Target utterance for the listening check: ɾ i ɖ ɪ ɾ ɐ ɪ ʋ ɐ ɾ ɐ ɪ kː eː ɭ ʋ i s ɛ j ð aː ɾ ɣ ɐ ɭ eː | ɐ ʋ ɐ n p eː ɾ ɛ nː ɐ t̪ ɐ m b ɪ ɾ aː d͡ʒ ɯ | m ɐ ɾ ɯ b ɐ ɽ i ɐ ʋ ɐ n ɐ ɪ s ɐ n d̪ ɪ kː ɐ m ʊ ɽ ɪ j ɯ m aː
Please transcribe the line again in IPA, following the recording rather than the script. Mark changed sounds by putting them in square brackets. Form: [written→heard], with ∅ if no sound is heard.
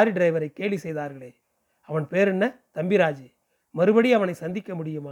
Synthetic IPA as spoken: ɾ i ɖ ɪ ɾ ɐ ɪ ʋ ɐ ɾ ɐ ɪ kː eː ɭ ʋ i s ɛ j ð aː ɾ ɣ ɐ ɭ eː | ɐ ʋ ɐ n p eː ɾ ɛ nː ɐ t̪ ɐ m b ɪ ɾ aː d͡ʒ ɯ | m ɐ ɾ ɯ b ɐ ɽ i ɐ ʋ ɐ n ɐ ɪ s ɐ n d̪ ɪ kː ɐ m ʊ ɽ ɪ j ɯ m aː